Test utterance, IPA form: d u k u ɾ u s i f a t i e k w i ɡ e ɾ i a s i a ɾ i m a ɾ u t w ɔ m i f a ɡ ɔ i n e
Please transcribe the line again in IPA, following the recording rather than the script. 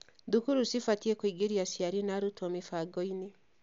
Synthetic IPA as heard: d u k u ɾ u s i f a t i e k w i ɡ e ɾ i a s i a ɾ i n a ɾ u t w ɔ m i f a ɡ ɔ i n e